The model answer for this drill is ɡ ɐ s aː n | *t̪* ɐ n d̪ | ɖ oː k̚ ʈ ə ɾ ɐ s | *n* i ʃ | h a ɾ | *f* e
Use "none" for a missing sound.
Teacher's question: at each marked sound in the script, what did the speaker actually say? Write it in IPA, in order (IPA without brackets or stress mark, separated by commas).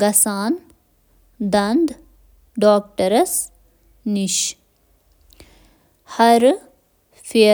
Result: d̪, n, f